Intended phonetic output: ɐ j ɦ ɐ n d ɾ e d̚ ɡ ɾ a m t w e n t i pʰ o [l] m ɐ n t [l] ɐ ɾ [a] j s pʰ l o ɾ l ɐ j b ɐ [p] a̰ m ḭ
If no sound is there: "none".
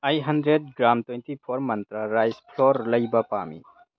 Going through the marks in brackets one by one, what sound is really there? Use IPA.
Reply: ɾ, ɾ, a, p

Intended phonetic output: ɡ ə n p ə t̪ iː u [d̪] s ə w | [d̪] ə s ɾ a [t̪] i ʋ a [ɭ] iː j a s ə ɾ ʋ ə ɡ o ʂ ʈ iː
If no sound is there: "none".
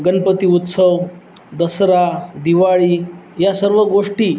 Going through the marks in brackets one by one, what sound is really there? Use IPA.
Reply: t̪, d̪, d̪, ɭ

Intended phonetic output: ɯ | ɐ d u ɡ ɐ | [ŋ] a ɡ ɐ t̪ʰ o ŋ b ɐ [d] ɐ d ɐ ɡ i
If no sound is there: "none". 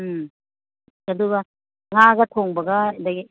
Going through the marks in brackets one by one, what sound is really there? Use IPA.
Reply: ŋ, ɡ

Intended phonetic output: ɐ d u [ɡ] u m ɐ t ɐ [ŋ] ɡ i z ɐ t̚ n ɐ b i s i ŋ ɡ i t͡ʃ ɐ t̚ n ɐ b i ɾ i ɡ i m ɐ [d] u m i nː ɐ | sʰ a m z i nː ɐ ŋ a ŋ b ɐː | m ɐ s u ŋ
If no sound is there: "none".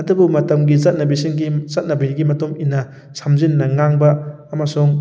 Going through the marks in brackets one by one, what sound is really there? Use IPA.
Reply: b, m, t

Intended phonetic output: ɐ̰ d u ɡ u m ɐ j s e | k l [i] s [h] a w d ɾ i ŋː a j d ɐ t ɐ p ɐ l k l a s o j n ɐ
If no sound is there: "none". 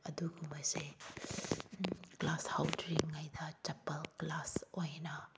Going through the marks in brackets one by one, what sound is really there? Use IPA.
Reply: a, h

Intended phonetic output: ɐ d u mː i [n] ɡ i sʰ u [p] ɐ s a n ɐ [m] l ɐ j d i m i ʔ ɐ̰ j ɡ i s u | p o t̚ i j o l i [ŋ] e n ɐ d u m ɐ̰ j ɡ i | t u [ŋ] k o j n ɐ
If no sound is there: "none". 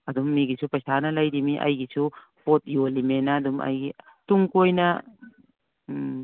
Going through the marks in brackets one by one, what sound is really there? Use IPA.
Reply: none, p, none, m, ŋ

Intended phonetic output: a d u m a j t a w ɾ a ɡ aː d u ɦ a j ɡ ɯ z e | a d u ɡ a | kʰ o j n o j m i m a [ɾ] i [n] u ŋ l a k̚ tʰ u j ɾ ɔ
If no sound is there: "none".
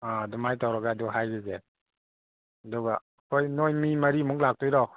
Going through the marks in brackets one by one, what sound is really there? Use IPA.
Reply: ɾ, m

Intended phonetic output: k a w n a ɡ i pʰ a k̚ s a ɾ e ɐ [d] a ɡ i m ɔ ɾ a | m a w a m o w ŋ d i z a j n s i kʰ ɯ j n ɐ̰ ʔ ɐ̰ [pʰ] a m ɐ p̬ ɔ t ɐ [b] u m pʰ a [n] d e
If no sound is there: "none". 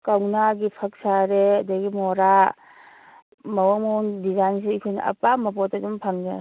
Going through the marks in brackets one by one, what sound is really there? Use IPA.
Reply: d, p, d, ŋ

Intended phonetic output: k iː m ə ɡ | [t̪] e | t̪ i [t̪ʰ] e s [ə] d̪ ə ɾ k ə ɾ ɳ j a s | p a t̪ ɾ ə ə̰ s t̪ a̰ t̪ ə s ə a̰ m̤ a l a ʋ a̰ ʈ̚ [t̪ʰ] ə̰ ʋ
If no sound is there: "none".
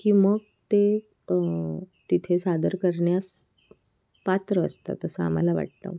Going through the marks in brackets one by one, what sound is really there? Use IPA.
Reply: t̪, t̪ʰ, a, t̪

